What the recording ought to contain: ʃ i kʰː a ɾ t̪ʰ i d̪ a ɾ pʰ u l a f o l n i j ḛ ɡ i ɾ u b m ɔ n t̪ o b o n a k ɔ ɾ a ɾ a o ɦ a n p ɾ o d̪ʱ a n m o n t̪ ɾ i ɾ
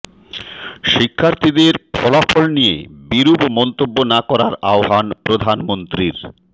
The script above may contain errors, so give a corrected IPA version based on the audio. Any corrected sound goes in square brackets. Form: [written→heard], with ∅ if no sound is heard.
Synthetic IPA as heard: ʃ i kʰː a ɾ t̪ʰ i d̪ [a→e] ɾ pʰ [u→ɔ] l a f o l n i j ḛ [ɡ→b] i ɾ u b m ɔ n t̪ o [b→bː] o n a k ɔ ɾ a ɾ a o ɦ a n p ɾ o d̪ʱ a n m o n t̪ ɾ i ɾ